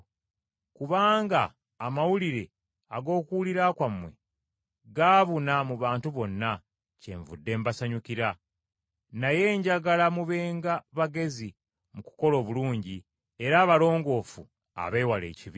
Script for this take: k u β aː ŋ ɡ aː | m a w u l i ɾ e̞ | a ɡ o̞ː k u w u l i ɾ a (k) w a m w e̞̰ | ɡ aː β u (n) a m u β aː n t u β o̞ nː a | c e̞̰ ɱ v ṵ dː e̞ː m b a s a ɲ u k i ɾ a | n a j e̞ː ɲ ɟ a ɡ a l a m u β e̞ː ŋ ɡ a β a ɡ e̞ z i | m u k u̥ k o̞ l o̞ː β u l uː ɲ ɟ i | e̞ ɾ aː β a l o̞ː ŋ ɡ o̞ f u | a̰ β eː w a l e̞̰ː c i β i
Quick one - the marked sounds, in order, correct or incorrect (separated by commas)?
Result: correct, correct